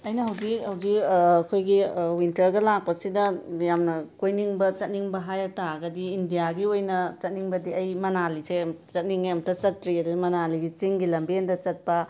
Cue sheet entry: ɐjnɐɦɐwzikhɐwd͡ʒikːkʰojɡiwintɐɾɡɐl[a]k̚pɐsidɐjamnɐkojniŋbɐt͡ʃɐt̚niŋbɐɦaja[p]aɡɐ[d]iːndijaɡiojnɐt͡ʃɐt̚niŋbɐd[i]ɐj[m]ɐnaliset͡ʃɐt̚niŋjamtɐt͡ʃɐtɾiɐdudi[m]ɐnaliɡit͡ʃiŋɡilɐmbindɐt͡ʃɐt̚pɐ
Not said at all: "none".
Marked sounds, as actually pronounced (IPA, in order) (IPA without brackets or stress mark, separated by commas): a, t, d, i, m, m